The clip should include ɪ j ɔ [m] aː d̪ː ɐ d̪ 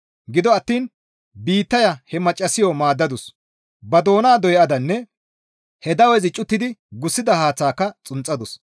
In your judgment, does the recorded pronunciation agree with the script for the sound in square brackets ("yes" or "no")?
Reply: yes